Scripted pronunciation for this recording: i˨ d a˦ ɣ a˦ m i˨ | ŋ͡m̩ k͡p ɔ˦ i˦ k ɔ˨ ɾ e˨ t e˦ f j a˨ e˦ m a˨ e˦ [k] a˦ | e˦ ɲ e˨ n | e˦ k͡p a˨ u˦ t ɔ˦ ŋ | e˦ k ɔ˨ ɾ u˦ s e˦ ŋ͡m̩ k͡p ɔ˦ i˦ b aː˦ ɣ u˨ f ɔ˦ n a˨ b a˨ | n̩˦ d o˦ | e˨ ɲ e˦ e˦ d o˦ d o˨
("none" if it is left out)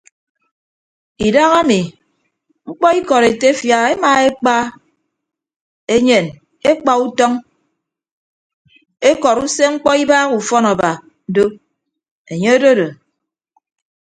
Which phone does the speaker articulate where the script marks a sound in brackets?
k͡p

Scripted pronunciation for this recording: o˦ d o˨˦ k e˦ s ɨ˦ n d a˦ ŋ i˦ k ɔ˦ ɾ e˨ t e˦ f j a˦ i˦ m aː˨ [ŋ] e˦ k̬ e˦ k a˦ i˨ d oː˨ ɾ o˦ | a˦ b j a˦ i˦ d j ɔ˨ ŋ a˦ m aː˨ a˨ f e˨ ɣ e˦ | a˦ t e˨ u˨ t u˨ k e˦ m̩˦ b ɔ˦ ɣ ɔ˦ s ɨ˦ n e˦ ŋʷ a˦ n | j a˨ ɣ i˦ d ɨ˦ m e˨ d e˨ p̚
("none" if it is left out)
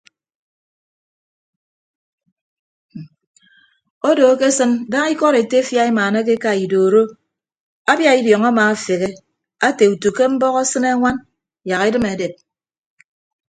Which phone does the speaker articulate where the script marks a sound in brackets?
n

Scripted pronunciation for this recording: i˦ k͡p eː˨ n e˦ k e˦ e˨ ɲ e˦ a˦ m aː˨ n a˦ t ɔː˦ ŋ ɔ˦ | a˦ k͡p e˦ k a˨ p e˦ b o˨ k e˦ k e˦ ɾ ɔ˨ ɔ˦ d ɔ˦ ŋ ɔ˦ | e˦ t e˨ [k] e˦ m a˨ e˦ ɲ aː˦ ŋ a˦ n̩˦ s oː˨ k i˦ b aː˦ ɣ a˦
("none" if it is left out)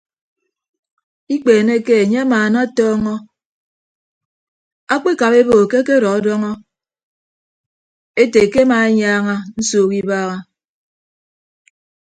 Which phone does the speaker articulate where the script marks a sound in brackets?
k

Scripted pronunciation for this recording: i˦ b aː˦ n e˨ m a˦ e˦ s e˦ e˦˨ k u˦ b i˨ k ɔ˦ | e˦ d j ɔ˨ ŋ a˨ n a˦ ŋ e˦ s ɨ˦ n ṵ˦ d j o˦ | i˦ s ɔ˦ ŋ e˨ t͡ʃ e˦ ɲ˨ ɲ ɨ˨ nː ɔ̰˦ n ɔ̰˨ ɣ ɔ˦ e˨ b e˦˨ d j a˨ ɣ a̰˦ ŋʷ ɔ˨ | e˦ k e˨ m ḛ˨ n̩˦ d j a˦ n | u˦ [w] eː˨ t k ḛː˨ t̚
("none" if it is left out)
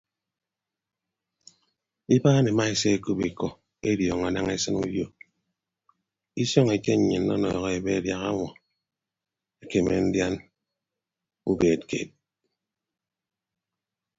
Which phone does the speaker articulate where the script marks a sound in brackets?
b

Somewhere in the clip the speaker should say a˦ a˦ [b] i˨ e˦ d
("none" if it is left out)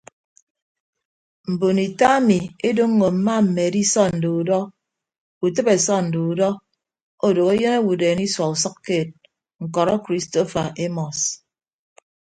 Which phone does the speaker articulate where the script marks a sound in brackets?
m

